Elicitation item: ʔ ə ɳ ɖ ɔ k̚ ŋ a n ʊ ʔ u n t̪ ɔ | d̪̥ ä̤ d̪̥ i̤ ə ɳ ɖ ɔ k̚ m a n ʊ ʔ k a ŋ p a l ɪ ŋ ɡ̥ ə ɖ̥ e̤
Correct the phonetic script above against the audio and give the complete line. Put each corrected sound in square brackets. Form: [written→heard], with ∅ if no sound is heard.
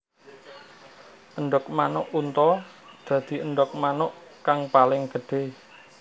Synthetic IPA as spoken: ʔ ə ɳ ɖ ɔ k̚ [ŋ→m] a n ʊ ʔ u n t̪ ɔ | d̪̥ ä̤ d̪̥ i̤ ə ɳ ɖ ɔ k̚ m a n ʊ ʔ k a ŋ p a l ɪ ŋ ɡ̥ ə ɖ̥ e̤